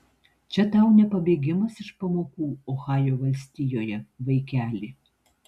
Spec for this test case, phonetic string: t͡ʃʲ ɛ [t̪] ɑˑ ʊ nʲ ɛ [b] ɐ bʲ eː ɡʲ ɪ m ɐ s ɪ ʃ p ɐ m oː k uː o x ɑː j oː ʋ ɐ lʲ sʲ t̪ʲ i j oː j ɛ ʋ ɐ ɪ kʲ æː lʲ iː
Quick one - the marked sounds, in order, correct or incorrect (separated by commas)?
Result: correct, incorrect